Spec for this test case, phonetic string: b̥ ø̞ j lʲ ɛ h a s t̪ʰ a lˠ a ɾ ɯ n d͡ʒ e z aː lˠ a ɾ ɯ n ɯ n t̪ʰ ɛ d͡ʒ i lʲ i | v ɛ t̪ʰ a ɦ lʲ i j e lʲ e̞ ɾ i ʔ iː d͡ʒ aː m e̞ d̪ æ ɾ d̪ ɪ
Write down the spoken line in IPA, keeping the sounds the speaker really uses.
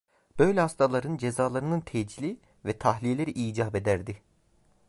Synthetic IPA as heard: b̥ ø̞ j lʲ ɛ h a s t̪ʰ a lˠ a ɾ ɯ n d͡ʒ e z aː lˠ a ɾ ɯ n ɯ n t̪ʰ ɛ d͡ʒ i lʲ i | v ɛ t̪ʰ a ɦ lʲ i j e lʲ e̞ ɾ i ʔ iː d͡ʒ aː b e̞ d̪ æ ɾ d̪ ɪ